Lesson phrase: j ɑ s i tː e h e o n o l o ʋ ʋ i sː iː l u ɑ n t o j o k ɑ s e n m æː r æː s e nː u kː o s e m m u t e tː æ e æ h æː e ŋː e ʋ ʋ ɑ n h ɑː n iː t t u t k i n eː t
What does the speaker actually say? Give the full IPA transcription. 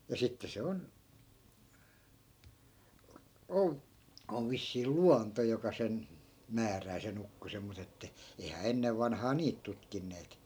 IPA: j ɑ s i tː e s e o n o l o ʋ ʋ i sː iː l u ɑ n t o j o k ɑ s e n m æː r æː s e n u kː o s e m m u t e tː æ e i h æː e nː e ʋ ʋ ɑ n h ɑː n iː t t u t k i nː eː t